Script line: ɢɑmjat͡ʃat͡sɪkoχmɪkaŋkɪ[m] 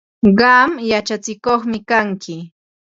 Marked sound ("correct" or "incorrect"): incorrect